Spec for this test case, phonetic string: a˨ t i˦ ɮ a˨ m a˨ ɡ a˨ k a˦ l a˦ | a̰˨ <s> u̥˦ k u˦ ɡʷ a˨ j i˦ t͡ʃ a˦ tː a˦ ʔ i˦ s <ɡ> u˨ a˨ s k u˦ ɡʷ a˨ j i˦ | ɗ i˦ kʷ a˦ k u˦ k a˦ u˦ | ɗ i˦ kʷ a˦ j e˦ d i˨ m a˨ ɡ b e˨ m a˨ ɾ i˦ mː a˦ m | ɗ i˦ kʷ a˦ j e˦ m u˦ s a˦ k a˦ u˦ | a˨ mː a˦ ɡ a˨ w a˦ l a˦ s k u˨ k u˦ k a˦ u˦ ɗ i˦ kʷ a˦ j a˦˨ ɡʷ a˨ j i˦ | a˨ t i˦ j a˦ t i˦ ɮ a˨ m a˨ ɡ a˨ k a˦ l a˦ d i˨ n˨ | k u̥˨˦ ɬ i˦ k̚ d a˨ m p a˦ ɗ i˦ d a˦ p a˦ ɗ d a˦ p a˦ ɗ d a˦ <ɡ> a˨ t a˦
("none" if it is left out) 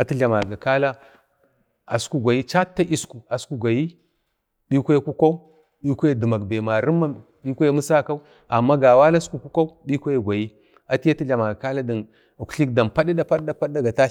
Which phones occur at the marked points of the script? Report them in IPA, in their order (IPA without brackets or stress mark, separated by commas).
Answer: s, k, ɡ